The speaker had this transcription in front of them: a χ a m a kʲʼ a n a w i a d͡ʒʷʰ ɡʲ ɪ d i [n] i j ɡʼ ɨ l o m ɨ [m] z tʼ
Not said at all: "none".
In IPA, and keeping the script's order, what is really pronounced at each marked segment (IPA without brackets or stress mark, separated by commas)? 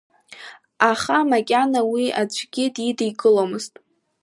d, none